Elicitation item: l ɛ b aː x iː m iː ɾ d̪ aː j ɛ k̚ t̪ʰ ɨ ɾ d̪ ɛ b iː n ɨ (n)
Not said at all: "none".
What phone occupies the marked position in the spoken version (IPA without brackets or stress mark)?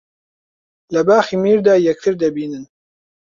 n